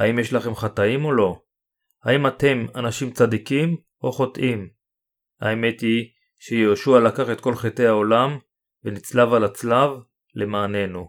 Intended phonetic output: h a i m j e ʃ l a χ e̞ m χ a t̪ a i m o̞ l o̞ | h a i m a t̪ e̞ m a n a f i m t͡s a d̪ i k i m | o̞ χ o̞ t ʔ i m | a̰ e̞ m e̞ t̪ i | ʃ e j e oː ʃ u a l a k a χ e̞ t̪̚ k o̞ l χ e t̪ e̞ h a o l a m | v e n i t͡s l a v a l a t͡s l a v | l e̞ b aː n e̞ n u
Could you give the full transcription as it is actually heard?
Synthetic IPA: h a i m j e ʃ l a χ e̞ m χ a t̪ a i m o̞ l o̞ | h a i m a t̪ e̞ m a n a ʃ i m t͡s a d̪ i k i m | o̞ χ o̞ t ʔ i m | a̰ e̞ m e̞ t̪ i | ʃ e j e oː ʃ u a l a k a χ e̞ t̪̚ k o̞ l χ e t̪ e̞ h a o l a m | v e n i t͡s l a v a l a t͡s l a v | l e̞ m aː n e̞ n u